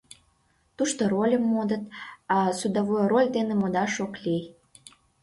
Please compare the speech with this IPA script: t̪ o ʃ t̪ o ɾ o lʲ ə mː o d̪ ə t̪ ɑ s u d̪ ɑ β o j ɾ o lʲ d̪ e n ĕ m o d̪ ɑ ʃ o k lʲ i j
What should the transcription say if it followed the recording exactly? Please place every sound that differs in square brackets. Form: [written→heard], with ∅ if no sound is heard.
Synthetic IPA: t̪ [o→u] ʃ t̪ o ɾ o lʲ ə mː o d̪ ə t̪ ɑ s u d̪ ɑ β o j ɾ o lʲ d̪ e n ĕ m o d̪ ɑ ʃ o k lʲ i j